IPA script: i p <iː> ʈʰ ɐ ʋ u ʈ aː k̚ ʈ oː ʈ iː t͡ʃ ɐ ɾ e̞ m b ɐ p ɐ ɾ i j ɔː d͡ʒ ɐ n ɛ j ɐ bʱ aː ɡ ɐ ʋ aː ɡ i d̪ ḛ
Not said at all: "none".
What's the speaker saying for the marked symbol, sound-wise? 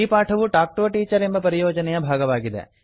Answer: aː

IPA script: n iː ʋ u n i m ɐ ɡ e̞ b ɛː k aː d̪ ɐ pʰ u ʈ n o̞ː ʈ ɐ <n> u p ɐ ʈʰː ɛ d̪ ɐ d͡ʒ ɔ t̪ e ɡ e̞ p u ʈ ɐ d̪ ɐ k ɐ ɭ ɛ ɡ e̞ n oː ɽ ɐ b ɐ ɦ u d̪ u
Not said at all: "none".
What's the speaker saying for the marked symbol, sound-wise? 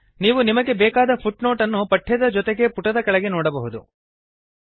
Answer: nː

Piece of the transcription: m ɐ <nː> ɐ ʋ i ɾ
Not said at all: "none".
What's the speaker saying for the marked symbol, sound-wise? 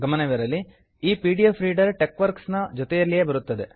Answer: n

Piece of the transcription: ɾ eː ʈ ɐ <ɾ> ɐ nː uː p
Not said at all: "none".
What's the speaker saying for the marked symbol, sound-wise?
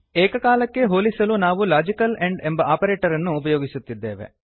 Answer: ɾ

